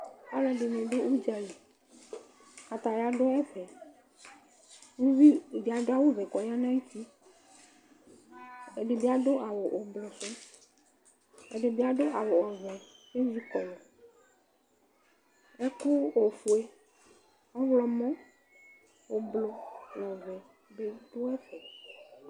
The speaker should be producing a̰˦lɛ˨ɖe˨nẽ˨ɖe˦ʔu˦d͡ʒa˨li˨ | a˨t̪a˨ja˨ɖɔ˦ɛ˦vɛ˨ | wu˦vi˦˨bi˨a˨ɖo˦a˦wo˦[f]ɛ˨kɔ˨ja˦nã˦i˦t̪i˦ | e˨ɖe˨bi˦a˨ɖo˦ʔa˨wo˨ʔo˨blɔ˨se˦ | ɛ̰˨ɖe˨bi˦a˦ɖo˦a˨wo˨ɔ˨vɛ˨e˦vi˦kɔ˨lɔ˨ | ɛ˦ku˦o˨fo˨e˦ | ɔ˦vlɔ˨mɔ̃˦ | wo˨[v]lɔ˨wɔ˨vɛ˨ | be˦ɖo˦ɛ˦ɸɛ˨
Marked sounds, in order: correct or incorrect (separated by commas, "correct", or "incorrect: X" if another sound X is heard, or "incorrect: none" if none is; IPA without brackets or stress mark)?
incorrect: v, incorrect: b